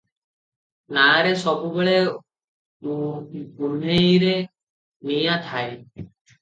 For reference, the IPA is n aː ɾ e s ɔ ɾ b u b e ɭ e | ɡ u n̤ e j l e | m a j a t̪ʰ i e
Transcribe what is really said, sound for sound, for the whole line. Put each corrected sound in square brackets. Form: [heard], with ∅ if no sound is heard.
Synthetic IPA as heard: n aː ɾ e s ɔ [∅] b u b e ɭ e | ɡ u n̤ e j [ɾ] e | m [i] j a t̪ʰ [a] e